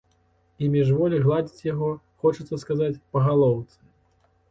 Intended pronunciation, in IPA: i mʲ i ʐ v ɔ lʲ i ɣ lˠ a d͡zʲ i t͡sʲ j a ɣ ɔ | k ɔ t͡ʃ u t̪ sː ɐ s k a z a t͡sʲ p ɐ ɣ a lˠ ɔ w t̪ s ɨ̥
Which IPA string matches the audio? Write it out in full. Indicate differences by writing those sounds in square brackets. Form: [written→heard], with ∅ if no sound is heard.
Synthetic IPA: i mʲ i ʐ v ɔ lʲ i ɣ lˠ a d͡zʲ i t͡sʲ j a ɣ ɔ | [k→x] ɔ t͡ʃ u t̪ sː ɐ s k a z a t͡sʲ p ɐ ɣ a lˠ ɔ w t̪ s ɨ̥